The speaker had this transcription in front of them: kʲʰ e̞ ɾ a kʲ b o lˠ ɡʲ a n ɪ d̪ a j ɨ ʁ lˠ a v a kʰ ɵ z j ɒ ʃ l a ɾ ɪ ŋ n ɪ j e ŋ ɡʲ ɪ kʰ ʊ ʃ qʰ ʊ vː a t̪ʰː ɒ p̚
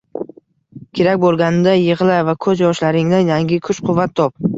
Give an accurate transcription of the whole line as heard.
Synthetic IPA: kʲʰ e̞ ɾ a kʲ b o lˠ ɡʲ a n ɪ d̪ a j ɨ ʁ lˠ a v a kʰ ɵ z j ɒ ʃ l a ɾ ɪ ŋ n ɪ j a ŋ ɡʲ ɪ kʰ ʊ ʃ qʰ ʊ vː a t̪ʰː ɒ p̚